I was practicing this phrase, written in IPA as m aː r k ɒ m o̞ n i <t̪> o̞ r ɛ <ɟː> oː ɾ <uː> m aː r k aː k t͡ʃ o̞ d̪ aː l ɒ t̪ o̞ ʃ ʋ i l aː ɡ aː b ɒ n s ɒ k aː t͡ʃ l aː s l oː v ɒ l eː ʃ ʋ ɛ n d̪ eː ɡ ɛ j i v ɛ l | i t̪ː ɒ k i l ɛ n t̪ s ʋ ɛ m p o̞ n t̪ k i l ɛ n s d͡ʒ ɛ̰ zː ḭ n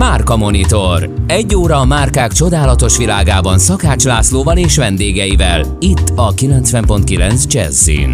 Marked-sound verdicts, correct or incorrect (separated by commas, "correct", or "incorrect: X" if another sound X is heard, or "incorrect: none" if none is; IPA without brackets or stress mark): correct, correct, incorrect: ɒː